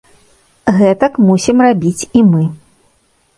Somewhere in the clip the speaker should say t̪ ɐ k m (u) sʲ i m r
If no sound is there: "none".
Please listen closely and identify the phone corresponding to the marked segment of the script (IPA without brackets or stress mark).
u